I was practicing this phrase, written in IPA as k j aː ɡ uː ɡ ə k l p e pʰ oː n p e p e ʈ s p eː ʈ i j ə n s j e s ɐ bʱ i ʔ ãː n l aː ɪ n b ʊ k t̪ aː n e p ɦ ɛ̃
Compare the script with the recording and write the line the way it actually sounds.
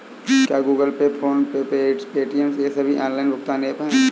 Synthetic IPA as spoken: k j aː ɡ uː ɡ ə l p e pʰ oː n p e p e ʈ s p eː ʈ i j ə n s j e s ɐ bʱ i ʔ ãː n l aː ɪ n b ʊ k t̪ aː n e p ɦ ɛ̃